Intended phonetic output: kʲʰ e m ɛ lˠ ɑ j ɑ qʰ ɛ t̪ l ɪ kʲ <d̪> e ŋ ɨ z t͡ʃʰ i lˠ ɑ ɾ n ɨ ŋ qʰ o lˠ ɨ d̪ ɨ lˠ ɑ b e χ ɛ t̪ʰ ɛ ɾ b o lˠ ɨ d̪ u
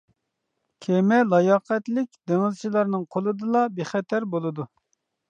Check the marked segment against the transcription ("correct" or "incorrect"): correct